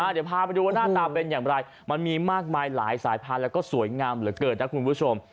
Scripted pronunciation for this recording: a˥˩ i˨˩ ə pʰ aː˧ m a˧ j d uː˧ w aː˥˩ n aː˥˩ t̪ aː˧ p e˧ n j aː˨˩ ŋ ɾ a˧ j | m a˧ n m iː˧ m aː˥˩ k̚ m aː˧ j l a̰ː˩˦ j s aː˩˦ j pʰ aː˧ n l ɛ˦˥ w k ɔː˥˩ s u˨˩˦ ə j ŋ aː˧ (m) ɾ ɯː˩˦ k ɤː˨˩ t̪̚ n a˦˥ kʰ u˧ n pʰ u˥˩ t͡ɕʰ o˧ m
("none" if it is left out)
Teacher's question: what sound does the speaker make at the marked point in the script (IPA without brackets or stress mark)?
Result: m